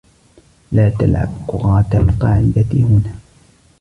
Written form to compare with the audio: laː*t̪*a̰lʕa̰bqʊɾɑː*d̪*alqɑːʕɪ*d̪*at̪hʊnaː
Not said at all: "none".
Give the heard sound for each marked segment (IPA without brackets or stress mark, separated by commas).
t̪, t̪, d̪